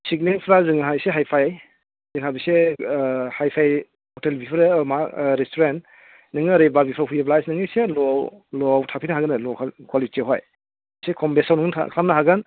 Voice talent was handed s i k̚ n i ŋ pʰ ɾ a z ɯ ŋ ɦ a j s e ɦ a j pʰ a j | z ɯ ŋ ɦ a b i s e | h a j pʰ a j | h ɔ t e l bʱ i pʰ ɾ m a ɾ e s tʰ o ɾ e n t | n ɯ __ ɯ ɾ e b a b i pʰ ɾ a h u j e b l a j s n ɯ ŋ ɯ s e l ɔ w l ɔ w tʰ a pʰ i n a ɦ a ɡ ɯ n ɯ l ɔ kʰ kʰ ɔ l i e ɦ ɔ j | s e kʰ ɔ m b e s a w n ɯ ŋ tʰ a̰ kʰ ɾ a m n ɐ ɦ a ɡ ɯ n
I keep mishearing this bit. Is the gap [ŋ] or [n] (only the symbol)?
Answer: ŋ